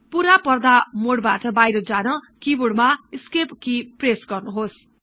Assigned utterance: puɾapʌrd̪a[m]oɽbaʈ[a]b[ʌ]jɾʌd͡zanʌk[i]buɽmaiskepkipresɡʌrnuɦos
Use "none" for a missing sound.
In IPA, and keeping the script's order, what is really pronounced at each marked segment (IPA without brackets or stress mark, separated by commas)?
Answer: m, ʌ, a, i